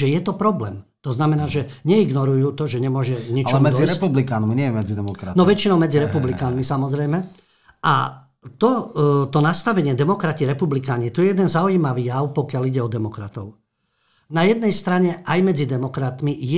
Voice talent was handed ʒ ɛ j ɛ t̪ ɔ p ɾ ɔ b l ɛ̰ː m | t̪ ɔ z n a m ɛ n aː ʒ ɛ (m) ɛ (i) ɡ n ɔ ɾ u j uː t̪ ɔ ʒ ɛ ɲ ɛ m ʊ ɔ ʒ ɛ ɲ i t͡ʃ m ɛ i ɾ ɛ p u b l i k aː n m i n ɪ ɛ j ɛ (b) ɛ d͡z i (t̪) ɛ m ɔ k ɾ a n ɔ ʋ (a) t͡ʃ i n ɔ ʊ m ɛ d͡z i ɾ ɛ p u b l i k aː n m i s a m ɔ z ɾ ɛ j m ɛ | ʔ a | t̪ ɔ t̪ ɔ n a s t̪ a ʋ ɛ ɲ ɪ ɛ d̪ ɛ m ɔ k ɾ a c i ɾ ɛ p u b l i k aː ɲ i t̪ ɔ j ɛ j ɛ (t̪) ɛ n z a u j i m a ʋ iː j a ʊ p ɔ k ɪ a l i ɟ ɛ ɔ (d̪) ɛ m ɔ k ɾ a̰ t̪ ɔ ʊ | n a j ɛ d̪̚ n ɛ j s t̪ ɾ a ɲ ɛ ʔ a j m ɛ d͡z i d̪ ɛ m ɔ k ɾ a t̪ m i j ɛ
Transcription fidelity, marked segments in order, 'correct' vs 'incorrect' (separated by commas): incorrect, correct, incorrect, incorrect, incorrect, incorrect, correct